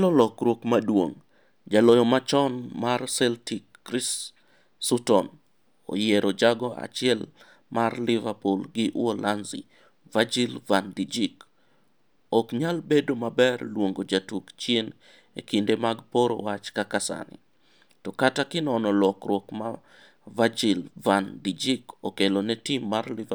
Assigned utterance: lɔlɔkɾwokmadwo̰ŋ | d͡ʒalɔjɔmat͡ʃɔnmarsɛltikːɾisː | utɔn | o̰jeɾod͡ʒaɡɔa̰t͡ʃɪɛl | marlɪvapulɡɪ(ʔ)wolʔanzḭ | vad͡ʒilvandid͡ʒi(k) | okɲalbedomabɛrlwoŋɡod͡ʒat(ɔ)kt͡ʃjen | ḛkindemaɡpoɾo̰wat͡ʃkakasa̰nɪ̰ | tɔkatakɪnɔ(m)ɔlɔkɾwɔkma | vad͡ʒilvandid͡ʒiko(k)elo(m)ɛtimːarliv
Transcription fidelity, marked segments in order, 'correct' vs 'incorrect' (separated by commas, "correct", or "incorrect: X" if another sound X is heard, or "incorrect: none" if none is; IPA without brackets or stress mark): correct, correct, incorrect: u, incorrect: n, correct, incorrect: n